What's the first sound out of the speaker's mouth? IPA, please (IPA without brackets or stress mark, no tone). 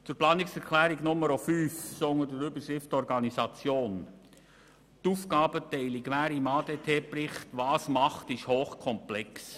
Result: t͡s